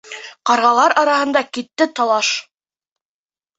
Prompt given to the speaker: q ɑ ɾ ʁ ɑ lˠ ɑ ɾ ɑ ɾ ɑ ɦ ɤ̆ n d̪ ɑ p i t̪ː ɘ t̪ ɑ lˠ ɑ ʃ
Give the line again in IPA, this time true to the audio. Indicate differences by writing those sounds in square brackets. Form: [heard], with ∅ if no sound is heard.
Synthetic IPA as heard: q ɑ ɾ ʁ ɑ lˠ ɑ ɾ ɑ ɾ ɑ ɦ ɤ̆ n d̪ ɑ [k] i t̪ː ɘ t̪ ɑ lˠ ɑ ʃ